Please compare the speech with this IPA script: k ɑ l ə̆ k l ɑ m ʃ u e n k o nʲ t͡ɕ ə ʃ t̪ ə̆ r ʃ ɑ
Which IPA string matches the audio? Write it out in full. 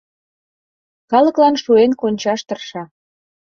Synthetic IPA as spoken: k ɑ l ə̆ k l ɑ n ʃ u e n k o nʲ t͡ɕ ɑ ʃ t̪ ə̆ r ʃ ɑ